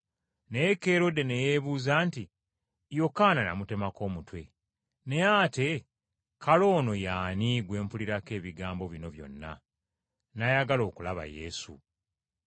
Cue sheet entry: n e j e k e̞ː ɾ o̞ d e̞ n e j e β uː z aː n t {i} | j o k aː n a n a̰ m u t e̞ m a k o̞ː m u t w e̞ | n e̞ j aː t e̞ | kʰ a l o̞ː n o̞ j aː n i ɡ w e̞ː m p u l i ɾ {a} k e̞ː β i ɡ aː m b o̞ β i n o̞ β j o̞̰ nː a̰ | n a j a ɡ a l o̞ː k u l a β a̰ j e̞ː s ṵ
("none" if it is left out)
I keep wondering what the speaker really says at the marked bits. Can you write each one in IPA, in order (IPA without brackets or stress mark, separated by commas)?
i, a